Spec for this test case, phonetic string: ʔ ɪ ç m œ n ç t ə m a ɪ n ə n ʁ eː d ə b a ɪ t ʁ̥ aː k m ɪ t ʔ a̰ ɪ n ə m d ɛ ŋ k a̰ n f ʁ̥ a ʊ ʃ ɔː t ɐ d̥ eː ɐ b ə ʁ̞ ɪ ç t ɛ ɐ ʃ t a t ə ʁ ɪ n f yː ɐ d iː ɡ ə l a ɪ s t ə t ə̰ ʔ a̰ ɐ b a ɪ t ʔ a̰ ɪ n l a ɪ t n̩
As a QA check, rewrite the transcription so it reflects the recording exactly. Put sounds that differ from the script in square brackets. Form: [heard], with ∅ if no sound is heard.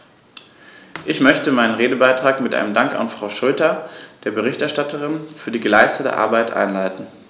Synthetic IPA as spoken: ʔ ɪ ç m œ [∅] ç t ə m a ɪ n ə n ʁ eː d ə b a ɪ t ʁ̥ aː k m ɪ t ʔ a̰ ɪ n ə m d [a] ŋ k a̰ n f ʁ̥ a ʊ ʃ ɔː t ɐ d̥ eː ɐ b ə ʁ̞ ɪ ç t ɛ ɐ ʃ t a t ə ʁ ɪ n f yː ɐ d iː ɡ ə l a ɪ s t ə t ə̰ ʔ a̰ ɐ b a ɪ t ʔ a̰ ɪ n l a ɪ t n̩